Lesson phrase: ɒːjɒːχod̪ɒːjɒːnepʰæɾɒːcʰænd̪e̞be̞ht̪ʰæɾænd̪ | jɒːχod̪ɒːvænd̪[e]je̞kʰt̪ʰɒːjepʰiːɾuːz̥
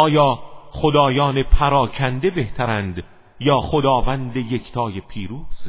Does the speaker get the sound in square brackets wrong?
no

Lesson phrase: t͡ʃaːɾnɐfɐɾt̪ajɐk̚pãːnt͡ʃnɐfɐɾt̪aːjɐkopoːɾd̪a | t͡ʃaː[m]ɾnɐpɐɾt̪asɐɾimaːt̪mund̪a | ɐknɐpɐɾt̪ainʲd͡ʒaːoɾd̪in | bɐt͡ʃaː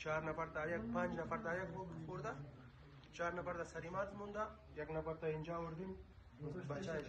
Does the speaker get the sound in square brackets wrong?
yes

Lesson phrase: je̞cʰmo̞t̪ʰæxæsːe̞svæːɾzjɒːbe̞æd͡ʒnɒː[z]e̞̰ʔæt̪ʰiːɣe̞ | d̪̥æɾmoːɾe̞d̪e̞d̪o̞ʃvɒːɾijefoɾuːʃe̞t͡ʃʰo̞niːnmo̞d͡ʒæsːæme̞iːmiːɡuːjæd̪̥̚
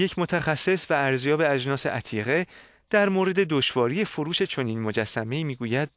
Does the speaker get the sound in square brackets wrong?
yes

